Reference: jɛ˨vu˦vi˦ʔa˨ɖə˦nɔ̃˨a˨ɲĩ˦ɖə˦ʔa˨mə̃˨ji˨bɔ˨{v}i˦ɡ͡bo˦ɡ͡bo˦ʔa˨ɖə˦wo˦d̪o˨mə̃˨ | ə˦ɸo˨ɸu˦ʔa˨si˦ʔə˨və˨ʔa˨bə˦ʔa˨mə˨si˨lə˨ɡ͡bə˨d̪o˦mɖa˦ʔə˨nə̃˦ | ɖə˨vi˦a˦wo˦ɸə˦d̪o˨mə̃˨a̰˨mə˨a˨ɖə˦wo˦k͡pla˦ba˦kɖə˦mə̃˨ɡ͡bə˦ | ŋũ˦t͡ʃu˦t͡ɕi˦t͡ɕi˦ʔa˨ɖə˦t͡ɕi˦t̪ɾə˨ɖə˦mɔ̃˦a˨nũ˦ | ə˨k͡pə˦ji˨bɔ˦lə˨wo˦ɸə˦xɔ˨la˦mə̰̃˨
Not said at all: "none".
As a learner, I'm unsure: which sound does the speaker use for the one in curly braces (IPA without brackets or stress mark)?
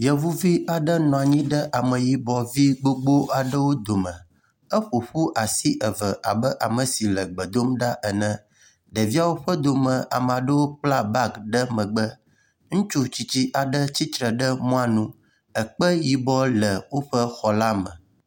v